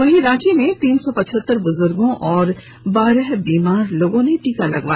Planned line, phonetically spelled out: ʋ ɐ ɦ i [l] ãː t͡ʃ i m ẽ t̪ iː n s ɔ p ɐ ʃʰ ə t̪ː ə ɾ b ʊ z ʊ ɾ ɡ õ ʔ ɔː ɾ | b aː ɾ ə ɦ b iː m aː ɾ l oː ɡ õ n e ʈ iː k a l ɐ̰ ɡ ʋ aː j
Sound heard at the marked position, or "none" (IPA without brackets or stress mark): ɾ